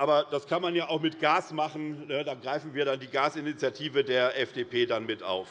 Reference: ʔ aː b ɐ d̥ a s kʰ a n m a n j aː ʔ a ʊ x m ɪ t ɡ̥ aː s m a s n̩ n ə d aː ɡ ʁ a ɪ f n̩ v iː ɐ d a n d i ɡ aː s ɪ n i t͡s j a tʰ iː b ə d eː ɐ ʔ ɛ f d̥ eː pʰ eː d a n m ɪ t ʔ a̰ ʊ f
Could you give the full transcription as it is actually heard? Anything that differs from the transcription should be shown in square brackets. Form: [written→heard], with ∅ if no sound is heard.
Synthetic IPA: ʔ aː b ɐ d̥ a s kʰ a n m a n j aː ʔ a ʊ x m ɪ t ɡ̥ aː s m a [s→χ] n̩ n ə d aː ɡ ʁ a ɪ f n̩ v iː ɐ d a n d [i→iː] ɡ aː s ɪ n i t͡s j a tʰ iː [b→v] ə d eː ɐ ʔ ɛ f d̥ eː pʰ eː d a n m ɪ t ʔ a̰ ʊ f